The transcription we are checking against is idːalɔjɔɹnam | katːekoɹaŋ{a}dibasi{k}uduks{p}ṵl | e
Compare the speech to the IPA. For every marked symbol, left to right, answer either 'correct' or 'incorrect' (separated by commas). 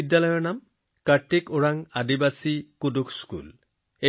correct, correct, incorrect